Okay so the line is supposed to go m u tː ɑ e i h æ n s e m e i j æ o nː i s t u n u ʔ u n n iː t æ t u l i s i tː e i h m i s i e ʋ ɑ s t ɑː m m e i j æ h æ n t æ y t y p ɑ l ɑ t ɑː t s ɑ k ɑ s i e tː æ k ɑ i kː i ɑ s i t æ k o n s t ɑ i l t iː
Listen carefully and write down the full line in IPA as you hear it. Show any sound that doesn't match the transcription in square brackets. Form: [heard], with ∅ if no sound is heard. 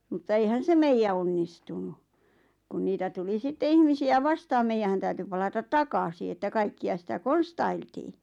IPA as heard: m u tː ɑ e i h æ n s e m e i j æ o nː i s t u n u [k] u n n iː t æ t u l i s i tː e i h m i s i [æ] ʋ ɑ s t ɑː m m e i j æ h æ n t æ y t y p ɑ l ɑ t [ɑ] t [t] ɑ k ɑ s i e tː æ k ɑ i kː i ɑ s i t æ k o n s t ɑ i l t iː